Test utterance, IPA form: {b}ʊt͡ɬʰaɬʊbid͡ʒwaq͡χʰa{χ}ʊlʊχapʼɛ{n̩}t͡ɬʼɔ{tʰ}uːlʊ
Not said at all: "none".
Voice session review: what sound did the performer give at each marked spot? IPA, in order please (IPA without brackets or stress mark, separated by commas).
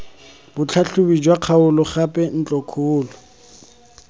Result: b, none, n̩, kʰ